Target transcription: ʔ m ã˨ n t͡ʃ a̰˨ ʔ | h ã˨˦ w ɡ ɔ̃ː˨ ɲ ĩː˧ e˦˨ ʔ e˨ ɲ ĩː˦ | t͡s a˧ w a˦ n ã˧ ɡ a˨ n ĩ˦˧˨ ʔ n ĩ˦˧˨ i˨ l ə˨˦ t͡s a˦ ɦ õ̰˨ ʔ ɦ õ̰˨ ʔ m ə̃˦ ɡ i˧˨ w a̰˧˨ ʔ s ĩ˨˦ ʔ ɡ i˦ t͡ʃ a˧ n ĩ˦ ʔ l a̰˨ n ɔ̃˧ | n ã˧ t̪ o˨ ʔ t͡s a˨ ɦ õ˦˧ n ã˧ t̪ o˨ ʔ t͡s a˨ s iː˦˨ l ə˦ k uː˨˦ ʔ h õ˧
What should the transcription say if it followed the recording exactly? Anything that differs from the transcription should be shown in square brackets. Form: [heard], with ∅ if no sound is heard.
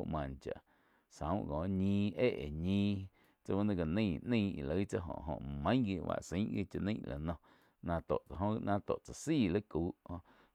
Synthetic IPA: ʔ m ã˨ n t͡ʃ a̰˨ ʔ | [s] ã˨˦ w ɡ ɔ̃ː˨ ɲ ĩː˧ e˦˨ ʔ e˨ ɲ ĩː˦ | t͡s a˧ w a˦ n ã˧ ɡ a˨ n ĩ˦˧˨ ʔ n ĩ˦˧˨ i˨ l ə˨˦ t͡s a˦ ɦ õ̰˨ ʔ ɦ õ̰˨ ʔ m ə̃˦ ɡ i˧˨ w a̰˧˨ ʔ s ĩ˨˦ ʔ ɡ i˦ t͡ʃ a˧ n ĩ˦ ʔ l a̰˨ n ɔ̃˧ | n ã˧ t̪ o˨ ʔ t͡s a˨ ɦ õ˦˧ n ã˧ t̪ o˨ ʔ t͡s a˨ s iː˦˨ l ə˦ k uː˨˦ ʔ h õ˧